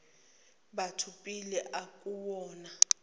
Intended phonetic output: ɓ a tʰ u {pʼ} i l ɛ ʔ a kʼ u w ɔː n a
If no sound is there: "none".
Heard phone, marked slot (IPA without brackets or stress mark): pʼ